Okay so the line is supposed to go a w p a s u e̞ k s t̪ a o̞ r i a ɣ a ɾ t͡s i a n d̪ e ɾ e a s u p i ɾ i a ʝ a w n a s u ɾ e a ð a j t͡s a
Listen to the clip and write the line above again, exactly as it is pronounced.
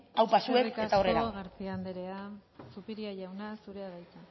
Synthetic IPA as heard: a w p a s u e̞ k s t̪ a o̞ r e a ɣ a ɾ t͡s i a n d̪ e ɾ e a s u p i ɾ i a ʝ a w n a s u ɾ e a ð a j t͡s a